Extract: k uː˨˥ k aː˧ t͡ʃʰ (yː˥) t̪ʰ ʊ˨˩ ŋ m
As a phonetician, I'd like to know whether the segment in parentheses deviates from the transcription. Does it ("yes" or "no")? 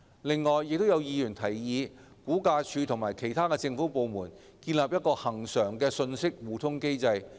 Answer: yes